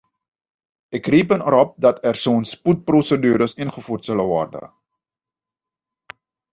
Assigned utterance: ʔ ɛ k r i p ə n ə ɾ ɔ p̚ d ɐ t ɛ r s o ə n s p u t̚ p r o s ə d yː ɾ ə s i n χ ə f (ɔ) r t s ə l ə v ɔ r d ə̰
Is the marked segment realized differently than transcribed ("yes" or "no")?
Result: yes